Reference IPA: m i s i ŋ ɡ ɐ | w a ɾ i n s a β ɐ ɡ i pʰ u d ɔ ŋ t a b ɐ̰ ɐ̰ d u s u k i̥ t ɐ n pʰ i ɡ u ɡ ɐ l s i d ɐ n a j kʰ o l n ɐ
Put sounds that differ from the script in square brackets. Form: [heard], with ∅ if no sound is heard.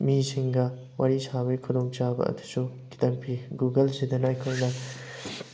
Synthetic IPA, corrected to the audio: m i s i ŋ ɡ ɐ | w a ɾ i [∅] s a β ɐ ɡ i [kʰ] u d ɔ ŋ [t͡ʃ] a b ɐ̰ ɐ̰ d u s u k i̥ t ɐ [ŋ] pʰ i ɡ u ɡ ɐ l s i d ɐ n a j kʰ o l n ɐ